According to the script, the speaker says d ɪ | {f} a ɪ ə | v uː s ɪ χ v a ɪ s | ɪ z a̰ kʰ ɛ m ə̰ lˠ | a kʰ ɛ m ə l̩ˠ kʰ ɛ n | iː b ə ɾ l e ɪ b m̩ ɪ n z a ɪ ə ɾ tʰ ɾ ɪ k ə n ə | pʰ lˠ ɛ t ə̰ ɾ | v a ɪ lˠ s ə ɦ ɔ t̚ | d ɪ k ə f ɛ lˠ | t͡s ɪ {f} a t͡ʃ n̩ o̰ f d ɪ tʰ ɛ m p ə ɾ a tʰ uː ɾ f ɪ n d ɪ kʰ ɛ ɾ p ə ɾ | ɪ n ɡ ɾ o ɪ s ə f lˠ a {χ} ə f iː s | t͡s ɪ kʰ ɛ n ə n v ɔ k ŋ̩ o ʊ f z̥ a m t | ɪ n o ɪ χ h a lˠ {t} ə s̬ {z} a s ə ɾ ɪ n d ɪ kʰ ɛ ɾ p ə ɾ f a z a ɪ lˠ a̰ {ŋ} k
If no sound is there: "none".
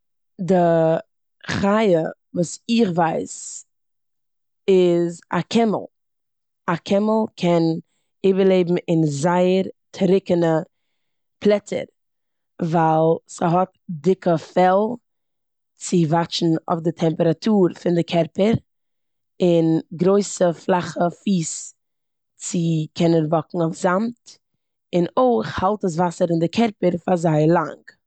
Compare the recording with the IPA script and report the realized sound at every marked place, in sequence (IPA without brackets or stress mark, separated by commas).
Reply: χ, v, χ, t, v, ŋ